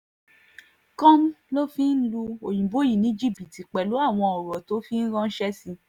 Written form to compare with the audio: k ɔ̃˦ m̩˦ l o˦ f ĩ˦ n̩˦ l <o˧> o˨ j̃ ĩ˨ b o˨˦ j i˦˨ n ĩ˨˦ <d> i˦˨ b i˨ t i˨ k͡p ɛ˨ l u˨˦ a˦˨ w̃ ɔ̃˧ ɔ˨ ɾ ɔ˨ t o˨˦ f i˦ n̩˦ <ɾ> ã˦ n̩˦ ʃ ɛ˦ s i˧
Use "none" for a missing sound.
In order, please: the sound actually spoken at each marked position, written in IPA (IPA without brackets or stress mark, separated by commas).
u˧, d͡ʒ, ɾ